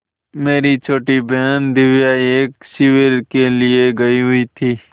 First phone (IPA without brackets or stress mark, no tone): m